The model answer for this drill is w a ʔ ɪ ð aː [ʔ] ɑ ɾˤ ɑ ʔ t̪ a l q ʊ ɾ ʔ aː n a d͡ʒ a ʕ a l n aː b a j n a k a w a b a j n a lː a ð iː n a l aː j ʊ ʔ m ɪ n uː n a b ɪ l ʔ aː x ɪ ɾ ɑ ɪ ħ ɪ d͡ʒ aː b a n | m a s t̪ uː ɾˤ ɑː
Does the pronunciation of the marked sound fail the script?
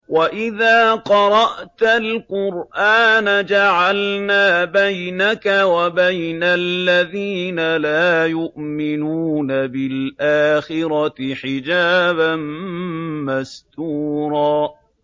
yes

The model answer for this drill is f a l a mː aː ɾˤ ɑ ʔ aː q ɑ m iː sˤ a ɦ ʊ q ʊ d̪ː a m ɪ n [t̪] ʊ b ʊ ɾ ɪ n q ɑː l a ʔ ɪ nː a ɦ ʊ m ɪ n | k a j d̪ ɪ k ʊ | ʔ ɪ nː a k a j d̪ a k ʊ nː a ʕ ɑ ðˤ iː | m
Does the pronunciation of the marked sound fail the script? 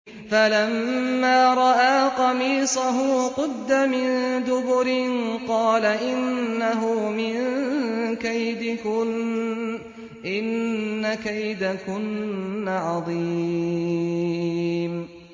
yes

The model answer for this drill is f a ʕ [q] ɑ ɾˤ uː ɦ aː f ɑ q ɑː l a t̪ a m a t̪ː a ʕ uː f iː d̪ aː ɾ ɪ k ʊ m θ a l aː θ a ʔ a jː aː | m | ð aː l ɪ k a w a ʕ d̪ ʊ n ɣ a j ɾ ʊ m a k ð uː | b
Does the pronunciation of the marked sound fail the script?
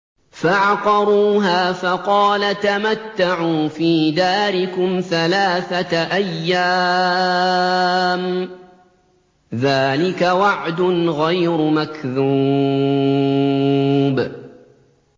no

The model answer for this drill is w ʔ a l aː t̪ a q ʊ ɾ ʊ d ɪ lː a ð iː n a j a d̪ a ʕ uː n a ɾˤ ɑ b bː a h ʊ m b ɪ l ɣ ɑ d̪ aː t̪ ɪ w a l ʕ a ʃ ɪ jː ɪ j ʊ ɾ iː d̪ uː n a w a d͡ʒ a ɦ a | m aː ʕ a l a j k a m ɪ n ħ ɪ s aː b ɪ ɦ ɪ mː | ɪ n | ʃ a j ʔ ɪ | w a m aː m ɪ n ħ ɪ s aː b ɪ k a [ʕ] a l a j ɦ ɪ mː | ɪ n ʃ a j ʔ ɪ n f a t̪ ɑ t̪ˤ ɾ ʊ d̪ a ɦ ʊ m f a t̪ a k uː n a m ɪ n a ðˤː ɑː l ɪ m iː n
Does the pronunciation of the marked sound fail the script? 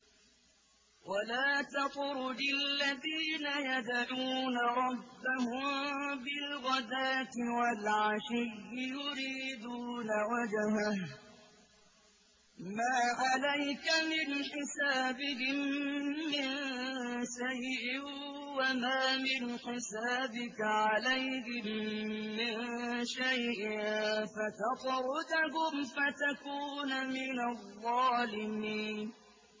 no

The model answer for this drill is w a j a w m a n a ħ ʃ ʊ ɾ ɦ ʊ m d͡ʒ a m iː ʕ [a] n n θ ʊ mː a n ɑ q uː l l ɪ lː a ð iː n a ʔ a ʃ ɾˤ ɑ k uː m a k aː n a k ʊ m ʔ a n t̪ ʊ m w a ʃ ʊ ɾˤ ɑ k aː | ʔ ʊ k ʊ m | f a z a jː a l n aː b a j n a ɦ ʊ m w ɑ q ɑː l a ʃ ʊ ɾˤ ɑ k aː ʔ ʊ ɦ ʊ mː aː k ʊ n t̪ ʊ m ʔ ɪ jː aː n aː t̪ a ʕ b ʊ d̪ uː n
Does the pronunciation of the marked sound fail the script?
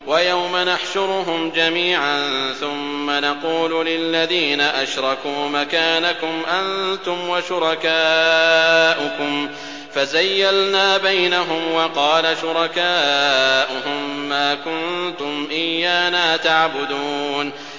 no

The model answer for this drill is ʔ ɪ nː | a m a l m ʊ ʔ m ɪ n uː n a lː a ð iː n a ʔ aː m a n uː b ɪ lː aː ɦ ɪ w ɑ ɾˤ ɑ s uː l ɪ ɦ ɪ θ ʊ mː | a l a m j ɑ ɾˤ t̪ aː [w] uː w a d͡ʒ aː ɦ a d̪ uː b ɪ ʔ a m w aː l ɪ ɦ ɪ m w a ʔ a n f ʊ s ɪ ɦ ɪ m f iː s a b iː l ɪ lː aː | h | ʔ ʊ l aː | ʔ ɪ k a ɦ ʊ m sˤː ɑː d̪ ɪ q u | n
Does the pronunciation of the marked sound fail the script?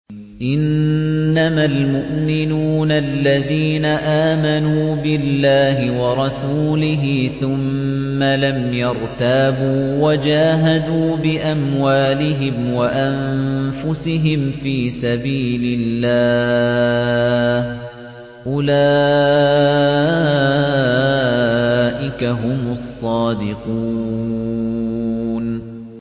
yes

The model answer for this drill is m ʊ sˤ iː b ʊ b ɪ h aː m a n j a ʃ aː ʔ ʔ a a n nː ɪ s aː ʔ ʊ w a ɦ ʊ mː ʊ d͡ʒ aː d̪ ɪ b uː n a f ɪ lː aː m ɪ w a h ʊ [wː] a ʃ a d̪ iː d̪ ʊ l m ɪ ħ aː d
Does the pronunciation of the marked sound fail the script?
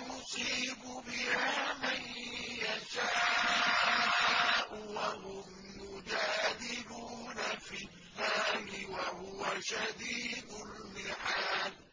yes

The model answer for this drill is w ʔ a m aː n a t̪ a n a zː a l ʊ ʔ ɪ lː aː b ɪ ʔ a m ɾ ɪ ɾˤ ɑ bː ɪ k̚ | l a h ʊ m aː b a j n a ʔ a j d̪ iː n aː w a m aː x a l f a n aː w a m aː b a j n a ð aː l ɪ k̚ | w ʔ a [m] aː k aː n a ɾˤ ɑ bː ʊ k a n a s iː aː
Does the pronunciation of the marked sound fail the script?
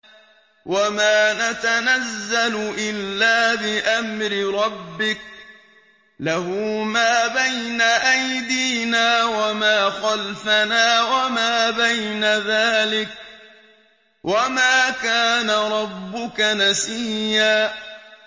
no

